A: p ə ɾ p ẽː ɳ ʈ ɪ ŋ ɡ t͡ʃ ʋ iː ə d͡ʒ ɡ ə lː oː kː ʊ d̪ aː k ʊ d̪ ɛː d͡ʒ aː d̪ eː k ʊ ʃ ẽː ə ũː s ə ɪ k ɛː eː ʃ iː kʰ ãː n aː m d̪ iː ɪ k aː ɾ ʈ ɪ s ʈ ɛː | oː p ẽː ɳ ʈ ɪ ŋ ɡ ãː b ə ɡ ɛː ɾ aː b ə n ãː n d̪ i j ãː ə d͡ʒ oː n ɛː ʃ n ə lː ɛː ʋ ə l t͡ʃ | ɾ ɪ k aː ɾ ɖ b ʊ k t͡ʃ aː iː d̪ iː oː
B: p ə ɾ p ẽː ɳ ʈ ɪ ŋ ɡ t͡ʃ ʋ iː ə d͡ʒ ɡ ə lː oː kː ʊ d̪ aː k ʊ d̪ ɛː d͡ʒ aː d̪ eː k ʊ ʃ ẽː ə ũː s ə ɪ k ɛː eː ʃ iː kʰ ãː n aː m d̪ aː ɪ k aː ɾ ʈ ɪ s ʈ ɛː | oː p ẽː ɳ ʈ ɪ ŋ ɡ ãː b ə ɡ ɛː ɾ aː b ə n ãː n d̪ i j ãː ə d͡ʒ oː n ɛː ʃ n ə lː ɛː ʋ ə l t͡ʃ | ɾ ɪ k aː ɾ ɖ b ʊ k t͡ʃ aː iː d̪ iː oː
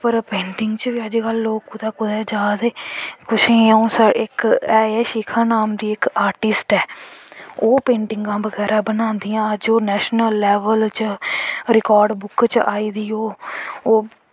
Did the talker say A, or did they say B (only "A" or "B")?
A